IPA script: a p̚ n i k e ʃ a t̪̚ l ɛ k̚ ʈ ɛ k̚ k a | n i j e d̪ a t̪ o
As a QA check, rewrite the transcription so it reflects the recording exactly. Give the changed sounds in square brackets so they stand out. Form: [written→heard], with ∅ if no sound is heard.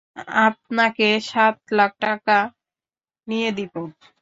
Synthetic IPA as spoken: a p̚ n [i→a] k e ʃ a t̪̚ l [ɛ→a] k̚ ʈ [ɛ→a] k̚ k a | n i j e d̪ [a→i] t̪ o